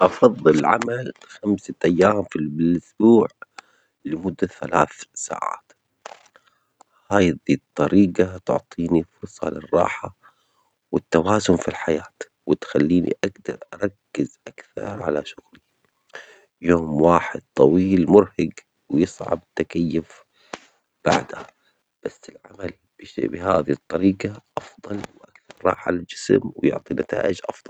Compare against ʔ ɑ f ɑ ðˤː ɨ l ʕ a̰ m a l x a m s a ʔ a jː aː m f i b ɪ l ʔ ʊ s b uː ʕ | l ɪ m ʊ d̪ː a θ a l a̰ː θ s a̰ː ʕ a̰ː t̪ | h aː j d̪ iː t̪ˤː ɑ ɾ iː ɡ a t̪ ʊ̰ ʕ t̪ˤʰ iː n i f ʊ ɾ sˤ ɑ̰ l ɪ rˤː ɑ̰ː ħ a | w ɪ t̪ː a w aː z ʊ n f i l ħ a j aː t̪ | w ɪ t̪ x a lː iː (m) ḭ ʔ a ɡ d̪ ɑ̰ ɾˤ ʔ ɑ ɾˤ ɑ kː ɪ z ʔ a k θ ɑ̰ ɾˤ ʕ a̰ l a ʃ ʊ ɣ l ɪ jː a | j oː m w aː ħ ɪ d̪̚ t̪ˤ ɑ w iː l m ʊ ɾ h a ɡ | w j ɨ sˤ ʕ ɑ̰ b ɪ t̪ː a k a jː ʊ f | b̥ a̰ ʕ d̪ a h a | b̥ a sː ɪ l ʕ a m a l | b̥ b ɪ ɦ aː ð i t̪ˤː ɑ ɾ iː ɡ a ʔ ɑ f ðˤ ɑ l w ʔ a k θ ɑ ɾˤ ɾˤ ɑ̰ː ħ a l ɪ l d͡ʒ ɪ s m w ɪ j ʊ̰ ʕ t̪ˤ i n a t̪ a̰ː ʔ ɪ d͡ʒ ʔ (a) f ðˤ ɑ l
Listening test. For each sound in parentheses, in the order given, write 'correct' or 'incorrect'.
incorrect: n, incorrect: ɑ

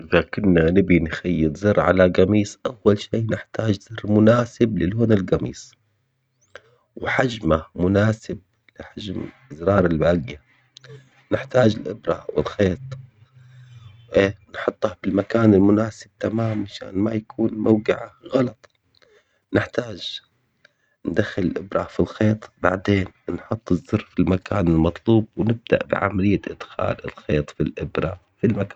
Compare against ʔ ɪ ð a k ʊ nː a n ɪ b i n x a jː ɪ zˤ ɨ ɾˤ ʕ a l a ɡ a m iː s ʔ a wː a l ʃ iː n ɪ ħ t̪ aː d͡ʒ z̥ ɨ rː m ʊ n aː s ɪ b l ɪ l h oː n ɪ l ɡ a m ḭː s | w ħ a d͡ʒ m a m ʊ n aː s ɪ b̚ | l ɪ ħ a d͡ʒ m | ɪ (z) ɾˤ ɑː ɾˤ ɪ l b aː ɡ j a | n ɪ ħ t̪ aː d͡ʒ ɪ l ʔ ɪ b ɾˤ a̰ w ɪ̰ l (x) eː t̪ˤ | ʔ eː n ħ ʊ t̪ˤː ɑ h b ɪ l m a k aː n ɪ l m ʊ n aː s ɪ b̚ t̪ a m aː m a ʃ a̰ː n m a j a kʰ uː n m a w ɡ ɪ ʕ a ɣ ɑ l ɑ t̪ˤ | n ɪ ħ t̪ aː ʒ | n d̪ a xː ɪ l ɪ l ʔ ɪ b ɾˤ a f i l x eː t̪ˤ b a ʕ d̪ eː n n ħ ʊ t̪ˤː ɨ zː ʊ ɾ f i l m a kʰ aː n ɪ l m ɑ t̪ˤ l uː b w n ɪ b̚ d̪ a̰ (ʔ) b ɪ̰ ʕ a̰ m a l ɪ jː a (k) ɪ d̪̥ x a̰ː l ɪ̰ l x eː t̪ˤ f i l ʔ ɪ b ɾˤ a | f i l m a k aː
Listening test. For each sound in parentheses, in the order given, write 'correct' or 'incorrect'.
correct, correct, correct, incorrect: ʔ

